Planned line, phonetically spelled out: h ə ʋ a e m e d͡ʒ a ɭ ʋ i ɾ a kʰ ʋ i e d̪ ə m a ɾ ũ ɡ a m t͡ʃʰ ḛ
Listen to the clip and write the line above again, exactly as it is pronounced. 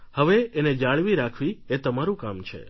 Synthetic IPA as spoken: h ə ʋ e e n e d͡ʒ a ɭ ʋ i ɾ a kʰ ʋ i e t̪ ə m a ɾ ũ k a m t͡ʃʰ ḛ